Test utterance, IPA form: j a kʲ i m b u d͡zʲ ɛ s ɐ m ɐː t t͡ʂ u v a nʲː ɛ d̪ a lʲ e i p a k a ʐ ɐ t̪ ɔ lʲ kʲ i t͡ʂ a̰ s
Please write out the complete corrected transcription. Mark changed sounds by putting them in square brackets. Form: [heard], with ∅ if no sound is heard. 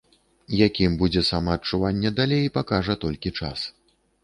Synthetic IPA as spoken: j a kʲ i m b u d͡zʲ ɛ s [a] m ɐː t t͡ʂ u v a nʲː ɛ d̪ a lʲ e [j] p a k a ʐ ɐ t̪ ɔ lʲ kʲ i t͡ʂ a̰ s